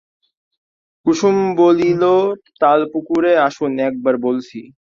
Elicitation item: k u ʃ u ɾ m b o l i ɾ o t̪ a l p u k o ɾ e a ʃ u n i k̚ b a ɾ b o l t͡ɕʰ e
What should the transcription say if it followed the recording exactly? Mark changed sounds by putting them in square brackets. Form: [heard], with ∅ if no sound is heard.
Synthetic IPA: k u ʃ u [∅] m b o l i [l] o t̪ a l p u k [u] ɾ e a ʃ u n [ɛ] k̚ b a ɾ b o l t͡ɕʰ [i]

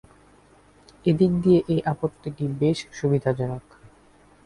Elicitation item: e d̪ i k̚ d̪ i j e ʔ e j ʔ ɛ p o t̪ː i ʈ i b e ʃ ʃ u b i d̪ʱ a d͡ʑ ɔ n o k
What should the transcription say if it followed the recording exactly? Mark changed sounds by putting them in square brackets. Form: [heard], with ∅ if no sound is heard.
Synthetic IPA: e d̪ i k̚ d̪ i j e ʔ e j ʔ [a] p o t̪ː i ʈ i b e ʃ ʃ u b i d̪ʱ a d͡ʑ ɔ n o k

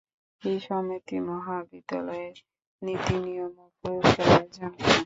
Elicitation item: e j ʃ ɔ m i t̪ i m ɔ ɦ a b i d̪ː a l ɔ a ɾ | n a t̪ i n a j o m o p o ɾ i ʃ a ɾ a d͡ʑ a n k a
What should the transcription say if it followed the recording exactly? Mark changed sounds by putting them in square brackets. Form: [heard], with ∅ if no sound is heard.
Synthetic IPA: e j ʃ ɔ m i t̪ i m ɔ ɦ a b i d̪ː a l ɔ [e] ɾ | n [i] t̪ i n [i] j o m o p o ɾ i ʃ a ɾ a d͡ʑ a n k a

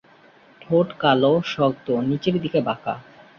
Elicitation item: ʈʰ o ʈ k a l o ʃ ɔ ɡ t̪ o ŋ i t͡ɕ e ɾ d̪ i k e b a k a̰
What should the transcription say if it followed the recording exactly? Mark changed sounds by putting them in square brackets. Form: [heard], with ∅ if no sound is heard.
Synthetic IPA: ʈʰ o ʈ k a l o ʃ ɔ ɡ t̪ o [n] i t͡ɕ e ɾ d̪ i k e b a k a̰

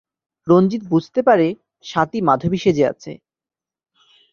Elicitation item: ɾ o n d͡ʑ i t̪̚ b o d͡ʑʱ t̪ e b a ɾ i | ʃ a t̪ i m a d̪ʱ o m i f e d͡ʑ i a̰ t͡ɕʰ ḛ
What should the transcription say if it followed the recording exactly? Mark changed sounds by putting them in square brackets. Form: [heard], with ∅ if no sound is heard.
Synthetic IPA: ɾ o n d͡ʑ i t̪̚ b [u] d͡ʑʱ t̪ e [p] a ɾ [e] | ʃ a t̪ i m a d̪ʱ o [b] i [ʃ] e d͡ʑ [e] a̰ t͡ɕʰ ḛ

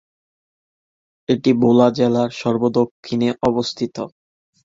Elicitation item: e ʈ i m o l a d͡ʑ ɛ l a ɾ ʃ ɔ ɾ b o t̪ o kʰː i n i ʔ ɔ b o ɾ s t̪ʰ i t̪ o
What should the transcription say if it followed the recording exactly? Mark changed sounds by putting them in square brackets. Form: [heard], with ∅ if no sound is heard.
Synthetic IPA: e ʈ i [b] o l a d͡ʑ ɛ l a ɾ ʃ ɔ ɾ b o [d̪] o kʰː i n [e] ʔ ɔ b o [∅] s t̪ʰ i t̪ o

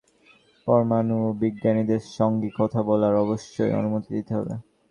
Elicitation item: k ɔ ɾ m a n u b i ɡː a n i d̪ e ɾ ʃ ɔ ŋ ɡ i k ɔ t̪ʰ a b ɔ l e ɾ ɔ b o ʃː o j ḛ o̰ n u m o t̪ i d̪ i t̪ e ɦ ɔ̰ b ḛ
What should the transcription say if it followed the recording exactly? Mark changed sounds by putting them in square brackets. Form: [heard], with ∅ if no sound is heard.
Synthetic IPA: [p] ɔ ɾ m a n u b i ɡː a n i d̪ e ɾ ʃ ɔ ŋ ɡ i k ɔ t̪ʰ a b ɔ l [a] ɾ ɔ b o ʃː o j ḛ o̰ n u m o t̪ i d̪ i t̪ e ɦ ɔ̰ b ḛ

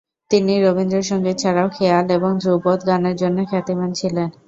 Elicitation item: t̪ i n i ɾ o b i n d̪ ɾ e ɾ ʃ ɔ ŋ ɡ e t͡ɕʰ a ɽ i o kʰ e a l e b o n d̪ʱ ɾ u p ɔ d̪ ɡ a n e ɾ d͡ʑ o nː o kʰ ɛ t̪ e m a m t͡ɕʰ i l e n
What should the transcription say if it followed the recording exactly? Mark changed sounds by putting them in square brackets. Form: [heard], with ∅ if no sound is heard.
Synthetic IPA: t̪ i n i ɾ o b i n d̪ ɾ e ɾ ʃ ɔ ŋ ɡ e t͡ɕʰ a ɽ [a] o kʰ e a l e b o [ŋ] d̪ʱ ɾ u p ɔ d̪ ɡ a n e ɾ d͡ʑ o nː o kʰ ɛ t̪ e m a [n] t͡ɕʰ i l e n

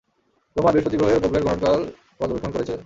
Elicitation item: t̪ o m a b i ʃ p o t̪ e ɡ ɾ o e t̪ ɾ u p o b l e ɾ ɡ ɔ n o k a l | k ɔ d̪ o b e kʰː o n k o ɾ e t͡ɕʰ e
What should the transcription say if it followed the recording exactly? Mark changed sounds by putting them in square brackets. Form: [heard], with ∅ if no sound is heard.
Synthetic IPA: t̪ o m a b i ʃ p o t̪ [i] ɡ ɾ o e [∅] ɾ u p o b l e ɾ ɡ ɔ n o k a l | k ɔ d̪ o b e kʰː o n k o ɾ e t͡ɕʰ e

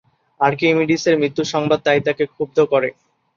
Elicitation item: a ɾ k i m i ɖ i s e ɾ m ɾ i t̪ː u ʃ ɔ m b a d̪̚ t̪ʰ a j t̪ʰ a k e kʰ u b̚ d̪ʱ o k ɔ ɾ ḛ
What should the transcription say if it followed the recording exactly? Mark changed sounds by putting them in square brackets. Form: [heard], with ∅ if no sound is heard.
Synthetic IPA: a ɾ k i m i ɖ i s e ɾ m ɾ i t̪ː u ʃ ɔ [ŋ] b a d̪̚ [t̪] a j [t̪] a k e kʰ u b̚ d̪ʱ o k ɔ ɾ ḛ

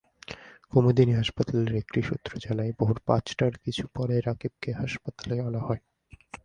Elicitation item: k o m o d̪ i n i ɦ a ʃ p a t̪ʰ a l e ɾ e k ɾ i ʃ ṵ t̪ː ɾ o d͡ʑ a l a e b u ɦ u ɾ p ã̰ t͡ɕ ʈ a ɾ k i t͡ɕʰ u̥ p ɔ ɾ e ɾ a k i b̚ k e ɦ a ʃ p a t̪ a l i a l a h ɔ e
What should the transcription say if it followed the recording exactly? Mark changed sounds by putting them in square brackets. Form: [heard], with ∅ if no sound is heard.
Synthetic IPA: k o m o d̪ i n i ɦ a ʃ p a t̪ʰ a l e ɾ e k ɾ i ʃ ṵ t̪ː ɾ o d͡ʑ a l a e b [o] ɦ u ɾ p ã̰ t͡ɕ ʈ a ɾ k i t͡ɕʰ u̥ p ɔ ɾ e ɾ a k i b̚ k e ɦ a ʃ p a t̪ a l [e] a l a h ɔ e

